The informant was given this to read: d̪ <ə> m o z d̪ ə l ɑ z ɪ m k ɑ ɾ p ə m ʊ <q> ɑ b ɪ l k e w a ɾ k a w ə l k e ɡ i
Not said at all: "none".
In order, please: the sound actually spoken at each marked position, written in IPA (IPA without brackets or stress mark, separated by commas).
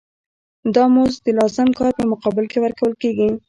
ɑ, q